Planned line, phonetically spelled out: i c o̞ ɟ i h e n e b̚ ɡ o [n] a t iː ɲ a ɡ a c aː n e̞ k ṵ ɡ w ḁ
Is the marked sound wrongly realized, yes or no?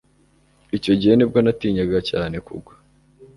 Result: no